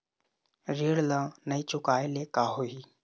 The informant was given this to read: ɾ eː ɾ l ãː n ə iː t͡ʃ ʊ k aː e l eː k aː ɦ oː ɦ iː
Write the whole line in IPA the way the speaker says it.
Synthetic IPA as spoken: ɾ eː ɽ l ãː n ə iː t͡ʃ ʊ k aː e l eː k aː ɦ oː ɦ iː